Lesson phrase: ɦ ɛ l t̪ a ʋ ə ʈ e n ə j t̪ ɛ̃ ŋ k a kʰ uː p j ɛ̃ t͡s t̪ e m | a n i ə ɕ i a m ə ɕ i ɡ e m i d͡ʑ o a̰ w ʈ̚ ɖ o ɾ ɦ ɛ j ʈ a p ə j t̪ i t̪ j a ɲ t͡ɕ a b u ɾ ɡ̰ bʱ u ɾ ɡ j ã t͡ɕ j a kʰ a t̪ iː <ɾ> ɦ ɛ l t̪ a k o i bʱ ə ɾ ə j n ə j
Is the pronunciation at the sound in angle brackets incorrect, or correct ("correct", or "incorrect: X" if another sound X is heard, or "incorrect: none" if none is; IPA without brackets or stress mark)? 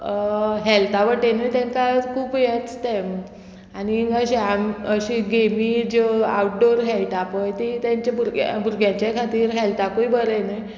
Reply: correct